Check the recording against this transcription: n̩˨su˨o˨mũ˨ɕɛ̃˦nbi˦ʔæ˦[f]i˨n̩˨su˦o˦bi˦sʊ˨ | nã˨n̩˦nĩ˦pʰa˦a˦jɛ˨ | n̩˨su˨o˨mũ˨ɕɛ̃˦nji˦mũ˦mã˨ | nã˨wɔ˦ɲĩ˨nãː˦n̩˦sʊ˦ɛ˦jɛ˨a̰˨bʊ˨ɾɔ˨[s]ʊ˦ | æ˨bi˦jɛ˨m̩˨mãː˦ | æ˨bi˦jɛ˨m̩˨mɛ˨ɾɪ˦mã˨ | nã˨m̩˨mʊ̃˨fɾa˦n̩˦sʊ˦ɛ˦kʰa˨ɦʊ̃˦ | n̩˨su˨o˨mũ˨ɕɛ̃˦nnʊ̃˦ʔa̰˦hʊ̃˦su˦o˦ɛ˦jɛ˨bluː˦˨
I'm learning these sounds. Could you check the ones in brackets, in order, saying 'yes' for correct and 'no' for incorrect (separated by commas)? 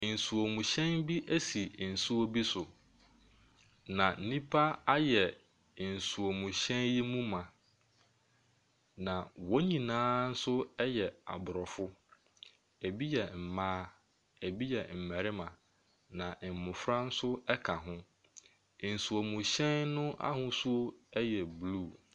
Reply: no, no